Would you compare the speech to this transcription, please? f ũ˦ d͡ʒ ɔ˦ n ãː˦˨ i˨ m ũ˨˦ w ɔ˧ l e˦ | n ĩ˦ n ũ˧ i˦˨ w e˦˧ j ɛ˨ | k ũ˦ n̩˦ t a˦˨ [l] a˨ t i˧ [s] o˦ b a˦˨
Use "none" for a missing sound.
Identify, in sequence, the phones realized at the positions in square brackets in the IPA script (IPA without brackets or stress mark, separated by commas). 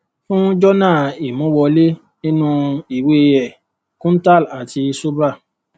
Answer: l, s